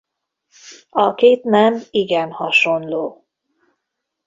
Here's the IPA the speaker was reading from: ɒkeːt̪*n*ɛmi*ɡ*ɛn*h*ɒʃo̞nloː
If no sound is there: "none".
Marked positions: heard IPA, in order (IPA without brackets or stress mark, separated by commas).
n, ɡ, h